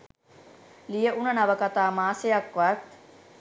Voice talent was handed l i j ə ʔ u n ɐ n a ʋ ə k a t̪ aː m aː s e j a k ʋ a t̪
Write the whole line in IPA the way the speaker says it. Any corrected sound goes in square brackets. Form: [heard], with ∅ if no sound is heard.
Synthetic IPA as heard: l i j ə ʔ u n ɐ n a ʋ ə k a t̪ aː m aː s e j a k ʋ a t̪